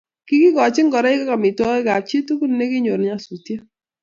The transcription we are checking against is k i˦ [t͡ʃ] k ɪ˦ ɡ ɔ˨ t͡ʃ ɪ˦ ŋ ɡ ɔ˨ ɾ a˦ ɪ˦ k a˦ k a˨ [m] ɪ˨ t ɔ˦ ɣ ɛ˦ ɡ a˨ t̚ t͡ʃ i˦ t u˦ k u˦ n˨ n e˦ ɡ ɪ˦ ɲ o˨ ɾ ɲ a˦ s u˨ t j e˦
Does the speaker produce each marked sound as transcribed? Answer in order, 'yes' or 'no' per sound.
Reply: no, yes

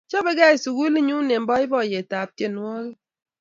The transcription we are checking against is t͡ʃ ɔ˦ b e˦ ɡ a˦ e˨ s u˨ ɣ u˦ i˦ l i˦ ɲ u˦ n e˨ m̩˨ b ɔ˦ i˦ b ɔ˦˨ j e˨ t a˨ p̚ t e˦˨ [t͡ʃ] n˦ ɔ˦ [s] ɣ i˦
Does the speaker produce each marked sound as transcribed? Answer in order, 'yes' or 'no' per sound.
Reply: no, no

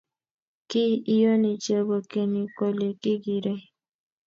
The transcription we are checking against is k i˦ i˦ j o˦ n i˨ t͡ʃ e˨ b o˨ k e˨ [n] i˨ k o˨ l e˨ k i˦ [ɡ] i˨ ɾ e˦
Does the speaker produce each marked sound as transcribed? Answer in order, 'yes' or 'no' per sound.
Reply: yes, yes

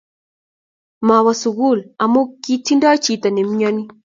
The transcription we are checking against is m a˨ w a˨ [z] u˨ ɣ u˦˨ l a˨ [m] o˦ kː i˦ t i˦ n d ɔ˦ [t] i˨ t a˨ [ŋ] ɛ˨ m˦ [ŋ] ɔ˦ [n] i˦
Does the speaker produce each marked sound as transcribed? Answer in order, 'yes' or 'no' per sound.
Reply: no, yes, no, no, no, yes

